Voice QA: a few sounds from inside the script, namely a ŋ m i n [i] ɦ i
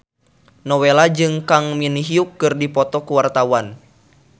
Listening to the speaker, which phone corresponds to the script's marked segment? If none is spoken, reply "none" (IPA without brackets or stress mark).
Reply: i